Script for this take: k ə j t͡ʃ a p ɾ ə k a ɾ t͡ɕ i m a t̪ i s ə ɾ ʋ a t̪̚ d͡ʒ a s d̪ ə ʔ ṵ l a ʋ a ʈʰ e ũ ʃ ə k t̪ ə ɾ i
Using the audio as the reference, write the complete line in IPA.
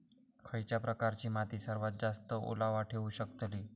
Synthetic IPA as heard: kʰ ə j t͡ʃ a p ɾ ə k a ɾ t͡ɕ i m a t̪ i s ə ɾ ʋ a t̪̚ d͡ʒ a s t̪ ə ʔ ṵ l a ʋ a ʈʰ e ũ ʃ ə k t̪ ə l i